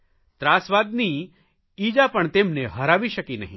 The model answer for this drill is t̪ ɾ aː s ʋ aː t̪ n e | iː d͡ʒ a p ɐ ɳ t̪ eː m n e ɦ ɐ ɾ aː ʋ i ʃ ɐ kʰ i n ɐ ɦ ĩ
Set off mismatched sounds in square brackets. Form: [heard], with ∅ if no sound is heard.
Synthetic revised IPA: t̪ ɾ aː s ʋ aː [d̪] n [i] | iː d͡ʒ a p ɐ ɳ t̪ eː m n e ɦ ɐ ɾ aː ʋ i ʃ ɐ [k] i n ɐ ɦ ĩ